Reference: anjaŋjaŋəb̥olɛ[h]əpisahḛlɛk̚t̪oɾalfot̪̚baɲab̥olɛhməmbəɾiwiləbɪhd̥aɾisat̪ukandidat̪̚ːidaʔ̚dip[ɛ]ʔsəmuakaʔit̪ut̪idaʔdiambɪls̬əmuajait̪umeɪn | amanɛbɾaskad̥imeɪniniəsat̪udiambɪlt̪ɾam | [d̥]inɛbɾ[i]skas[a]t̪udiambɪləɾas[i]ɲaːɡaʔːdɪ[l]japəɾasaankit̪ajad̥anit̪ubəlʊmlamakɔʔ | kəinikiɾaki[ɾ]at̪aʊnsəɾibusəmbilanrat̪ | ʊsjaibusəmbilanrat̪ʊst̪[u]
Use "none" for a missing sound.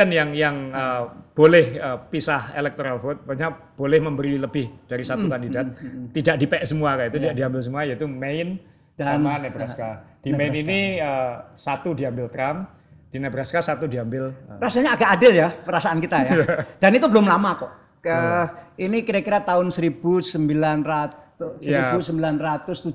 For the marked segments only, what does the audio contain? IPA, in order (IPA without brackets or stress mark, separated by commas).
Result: h, ɛ, d̥, a, a, a, l, ɾ, u